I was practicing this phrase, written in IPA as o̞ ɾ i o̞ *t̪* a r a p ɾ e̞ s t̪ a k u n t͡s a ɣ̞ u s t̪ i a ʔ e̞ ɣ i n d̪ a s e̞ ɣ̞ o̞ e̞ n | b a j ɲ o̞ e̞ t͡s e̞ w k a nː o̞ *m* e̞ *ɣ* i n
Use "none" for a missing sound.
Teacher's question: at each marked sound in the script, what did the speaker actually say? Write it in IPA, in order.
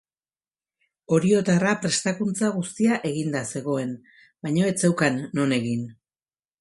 t̪, n, ɣ

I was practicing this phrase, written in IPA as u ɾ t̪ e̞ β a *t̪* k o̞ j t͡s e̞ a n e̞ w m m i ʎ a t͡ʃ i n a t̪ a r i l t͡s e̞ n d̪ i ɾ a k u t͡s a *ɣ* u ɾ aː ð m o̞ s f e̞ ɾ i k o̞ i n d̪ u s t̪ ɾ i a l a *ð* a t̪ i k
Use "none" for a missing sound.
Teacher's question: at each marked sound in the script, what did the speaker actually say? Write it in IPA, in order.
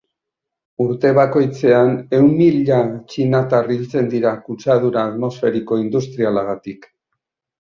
none, ð, ɣ

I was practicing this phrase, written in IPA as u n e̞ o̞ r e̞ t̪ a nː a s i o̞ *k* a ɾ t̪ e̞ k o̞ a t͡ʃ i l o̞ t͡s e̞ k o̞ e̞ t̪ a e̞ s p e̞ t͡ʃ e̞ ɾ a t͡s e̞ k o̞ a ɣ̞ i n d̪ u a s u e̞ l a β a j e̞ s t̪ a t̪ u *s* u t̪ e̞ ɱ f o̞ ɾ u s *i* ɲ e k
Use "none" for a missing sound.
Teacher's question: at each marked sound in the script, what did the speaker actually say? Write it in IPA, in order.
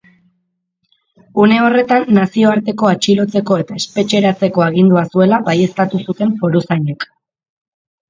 none, s, a

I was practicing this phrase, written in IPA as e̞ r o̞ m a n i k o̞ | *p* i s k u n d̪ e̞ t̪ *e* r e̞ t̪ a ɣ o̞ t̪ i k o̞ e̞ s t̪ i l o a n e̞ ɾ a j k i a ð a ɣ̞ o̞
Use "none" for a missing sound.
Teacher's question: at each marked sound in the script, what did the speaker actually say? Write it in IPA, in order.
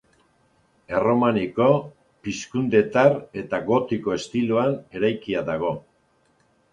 p, a

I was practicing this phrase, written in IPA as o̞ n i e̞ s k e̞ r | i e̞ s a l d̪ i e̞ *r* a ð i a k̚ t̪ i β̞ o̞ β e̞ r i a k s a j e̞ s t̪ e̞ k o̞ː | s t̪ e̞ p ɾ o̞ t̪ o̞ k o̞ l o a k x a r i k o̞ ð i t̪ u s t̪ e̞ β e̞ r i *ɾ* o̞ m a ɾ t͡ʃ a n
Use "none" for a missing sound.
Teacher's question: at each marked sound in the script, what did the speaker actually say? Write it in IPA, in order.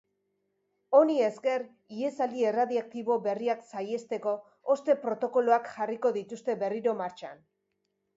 r, ɾ

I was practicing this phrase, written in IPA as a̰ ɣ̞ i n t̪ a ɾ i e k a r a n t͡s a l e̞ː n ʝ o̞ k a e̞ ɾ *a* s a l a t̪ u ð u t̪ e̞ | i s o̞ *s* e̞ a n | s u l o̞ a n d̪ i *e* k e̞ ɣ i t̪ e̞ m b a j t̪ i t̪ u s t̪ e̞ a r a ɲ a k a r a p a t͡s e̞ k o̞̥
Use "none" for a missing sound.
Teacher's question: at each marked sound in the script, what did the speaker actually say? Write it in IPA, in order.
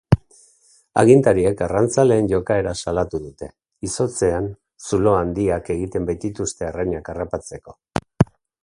a, t͡s, a

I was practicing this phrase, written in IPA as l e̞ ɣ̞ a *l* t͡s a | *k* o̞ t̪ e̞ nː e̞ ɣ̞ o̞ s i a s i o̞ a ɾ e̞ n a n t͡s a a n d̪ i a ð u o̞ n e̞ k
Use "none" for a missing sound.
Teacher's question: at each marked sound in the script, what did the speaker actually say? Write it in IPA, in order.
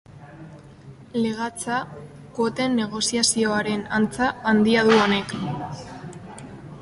none, k

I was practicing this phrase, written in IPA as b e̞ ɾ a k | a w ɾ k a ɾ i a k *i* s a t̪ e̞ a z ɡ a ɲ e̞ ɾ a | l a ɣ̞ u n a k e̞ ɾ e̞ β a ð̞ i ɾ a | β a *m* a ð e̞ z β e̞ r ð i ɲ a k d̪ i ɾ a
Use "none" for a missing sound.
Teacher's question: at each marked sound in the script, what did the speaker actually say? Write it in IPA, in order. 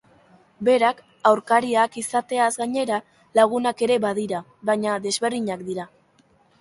i, ɲ

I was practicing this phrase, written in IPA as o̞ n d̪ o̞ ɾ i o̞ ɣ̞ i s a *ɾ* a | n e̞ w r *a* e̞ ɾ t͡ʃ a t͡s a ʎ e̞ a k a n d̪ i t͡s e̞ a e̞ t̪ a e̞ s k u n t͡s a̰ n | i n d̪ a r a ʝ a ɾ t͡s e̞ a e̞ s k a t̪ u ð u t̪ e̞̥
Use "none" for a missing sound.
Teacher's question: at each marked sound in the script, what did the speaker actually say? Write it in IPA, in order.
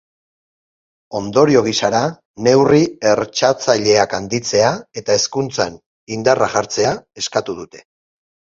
ɾ, i

